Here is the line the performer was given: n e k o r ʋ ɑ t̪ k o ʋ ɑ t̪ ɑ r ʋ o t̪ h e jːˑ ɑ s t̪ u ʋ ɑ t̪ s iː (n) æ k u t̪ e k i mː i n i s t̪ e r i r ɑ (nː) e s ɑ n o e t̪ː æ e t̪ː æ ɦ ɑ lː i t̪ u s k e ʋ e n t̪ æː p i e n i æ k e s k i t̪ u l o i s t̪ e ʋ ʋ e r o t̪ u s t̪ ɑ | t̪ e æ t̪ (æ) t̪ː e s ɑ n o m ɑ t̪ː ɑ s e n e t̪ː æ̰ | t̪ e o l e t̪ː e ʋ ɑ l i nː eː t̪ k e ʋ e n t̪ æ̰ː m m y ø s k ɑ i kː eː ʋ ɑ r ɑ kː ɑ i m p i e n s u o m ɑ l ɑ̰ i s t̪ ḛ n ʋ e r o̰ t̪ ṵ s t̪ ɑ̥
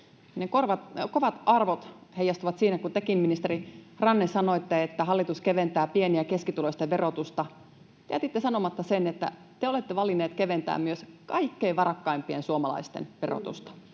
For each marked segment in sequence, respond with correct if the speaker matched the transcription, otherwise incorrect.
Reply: correct, correct, incorrect: i

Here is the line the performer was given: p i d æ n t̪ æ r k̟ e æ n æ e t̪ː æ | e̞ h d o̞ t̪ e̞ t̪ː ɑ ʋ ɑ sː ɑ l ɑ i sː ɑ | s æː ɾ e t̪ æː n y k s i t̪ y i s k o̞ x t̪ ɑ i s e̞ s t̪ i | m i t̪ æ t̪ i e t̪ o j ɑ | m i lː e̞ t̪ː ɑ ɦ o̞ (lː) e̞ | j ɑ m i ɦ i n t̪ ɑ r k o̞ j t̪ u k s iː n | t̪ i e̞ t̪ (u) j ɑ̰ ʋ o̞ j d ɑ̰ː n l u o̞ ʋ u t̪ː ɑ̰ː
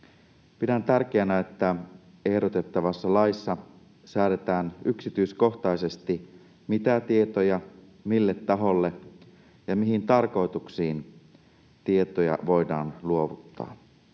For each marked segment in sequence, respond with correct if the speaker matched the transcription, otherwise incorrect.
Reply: correct, incorrect: o

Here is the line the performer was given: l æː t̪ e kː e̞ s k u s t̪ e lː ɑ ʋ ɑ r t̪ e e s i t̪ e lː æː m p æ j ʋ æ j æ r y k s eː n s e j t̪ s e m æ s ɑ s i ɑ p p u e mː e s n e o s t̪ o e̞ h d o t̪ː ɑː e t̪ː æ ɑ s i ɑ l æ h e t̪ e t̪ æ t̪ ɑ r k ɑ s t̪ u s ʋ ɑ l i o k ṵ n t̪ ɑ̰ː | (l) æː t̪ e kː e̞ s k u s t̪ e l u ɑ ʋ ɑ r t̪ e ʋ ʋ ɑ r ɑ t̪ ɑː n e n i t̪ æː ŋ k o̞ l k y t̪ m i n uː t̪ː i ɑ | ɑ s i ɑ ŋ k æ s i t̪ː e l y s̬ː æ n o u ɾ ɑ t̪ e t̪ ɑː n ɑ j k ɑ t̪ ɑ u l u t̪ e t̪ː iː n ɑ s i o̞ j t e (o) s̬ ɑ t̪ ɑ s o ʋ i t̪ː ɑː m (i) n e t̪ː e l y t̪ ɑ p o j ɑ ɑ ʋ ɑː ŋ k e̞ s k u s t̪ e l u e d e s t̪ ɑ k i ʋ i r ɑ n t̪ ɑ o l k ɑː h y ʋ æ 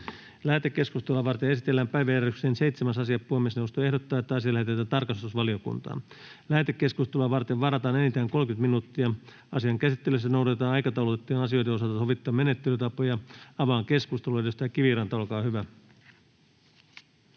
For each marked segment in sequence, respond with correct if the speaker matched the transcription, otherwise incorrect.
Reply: correct, correct, incorrect: e

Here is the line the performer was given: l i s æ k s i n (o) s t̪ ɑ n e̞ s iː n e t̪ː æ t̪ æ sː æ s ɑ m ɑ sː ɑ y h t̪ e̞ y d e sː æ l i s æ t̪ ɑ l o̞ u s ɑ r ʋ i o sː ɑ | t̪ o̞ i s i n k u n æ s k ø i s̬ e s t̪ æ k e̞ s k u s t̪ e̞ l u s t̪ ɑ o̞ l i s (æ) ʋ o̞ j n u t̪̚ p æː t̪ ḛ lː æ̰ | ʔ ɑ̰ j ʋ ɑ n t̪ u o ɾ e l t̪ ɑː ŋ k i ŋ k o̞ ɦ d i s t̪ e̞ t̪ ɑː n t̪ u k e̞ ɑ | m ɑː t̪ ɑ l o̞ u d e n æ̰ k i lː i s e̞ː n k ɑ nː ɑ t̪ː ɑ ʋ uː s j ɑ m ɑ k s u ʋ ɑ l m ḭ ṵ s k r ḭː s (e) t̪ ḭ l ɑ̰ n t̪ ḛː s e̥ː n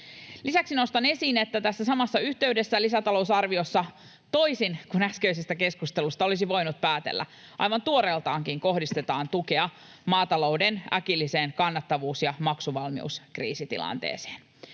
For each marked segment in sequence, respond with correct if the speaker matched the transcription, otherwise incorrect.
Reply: correct, incorrect: i, incorrect: i

